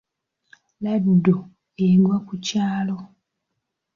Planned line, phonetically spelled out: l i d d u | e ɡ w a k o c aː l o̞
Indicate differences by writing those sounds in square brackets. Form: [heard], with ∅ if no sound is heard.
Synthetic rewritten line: l [a] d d [o] | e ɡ w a k [u] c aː l o̞